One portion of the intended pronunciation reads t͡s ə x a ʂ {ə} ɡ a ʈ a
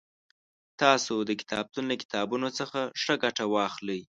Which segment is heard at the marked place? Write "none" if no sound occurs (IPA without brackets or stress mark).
ə